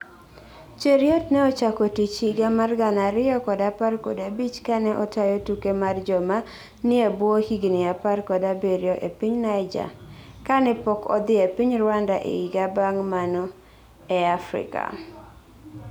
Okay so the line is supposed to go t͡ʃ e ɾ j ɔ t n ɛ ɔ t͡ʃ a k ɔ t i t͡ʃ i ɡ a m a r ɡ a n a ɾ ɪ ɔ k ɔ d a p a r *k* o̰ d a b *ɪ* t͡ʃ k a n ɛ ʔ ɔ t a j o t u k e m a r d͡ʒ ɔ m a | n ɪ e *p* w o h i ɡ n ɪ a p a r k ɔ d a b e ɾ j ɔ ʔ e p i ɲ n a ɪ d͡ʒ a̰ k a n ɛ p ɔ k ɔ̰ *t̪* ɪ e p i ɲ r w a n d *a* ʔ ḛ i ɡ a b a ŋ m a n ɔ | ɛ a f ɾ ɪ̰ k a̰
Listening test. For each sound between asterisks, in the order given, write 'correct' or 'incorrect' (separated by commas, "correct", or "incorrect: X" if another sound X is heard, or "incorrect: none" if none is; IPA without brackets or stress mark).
correct, incorrect: i, incorrect: b, incorrect: d̪, correct